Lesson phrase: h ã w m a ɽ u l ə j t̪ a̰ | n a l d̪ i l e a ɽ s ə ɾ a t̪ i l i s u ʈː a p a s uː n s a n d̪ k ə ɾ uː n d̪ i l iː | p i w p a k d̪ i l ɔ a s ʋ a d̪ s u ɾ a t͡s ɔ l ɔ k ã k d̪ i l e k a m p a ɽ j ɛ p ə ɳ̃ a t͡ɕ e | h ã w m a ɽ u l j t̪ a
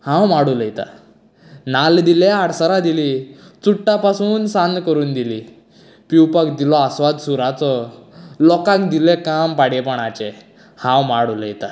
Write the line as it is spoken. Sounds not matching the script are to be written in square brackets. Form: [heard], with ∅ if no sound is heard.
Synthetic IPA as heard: h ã w m a ɽ u l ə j t̪ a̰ | n a l d̪ i l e a ɽ s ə ɾ a [d̪] i l i [t͡s] u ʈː a p a s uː n s a n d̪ k ə ɾ uː n d̪ i l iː | p i w p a k d̪ i l ɔ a s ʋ a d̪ s u ɾ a t͡s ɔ l ɔ k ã k d̪ i l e k a m p a ɽ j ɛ p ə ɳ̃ a t͡ɕ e | h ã w m a ɽ u l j t̪ a